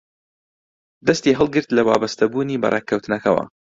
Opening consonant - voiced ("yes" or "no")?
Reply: yes